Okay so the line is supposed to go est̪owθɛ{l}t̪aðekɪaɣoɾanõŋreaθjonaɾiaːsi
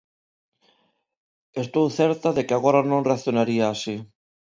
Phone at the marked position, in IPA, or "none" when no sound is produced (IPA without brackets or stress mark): ɾ